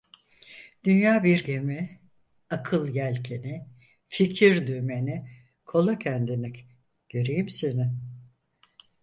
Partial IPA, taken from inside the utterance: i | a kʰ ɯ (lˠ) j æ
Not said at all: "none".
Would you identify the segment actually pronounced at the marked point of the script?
lˠ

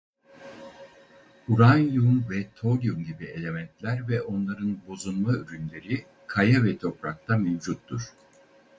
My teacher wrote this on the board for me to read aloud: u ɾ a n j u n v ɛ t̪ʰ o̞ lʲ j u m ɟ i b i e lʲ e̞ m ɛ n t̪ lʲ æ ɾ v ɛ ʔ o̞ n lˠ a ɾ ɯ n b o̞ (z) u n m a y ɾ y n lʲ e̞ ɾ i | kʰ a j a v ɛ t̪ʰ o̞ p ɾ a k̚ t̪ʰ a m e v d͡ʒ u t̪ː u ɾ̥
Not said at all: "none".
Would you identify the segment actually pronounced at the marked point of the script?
z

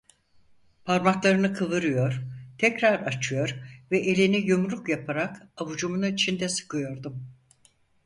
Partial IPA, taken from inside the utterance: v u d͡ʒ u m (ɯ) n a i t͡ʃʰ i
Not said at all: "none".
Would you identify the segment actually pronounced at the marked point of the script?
u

